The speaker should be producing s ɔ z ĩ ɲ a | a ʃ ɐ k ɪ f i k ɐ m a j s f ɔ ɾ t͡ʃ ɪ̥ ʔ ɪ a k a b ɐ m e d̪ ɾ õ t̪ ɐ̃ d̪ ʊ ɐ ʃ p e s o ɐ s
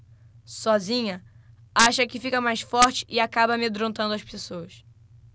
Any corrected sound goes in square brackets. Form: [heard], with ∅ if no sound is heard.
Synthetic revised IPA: s ɔ z ĩ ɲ [ɐ] | a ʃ ɐ k ɪ f i k ɐ m a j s f ɔ ɾ t͡ʃ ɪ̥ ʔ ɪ a k a b ɐ m e d̪ ɾ õ t̪ ɐ̃ d̪ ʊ ɐ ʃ p e s o ɐ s